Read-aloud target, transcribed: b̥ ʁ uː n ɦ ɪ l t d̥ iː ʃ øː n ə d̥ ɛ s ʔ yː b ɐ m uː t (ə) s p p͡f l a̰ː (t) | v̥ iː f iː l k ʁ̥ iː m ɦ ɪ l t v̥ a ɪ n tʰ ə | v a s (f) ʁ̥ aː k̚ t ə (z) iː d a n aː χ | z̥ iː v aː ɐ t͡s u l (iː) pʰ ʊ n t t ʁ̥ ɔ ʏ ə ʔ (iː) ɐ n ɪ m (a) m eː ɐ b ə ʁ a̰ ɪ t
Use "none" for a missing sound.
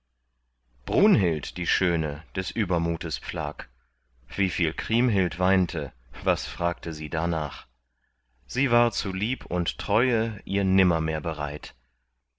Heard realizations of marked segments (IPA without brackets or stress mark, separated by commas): ə, k, f, z, iː, iː, ɐ